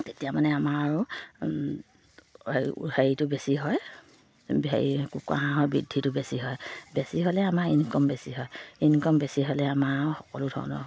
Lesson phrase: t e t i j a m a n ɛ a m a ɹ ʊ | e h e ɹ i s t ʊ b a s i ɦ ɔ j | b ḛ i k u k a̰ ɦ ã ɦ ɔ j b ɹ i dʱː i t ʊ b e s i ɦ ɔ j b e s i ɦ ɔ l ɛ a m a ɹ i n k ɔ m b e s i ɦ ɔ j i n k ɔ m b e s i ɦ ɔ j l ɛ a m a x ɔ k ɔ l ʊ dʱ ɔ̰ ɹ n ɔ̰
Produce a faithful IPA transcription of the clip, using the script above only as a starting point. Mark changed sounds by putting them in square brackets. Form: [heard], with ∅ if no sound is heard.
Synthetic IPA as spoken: t e t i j a m a n ɛ a m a ɹ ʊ | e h e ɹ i [∅] t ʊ b [e] s i ɦ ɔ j | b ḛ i k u k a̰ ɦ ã ɦ ɔ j b ɹ i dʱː i t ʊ b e s i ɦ ɔ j b e s i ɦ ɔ l ɛ a m a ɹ i n k ɔ m b e s i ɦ ɔ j i n k ɔ m b e s i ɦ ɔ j l ɛ a m a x ɔ k ɔ l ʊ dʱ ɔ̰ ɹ n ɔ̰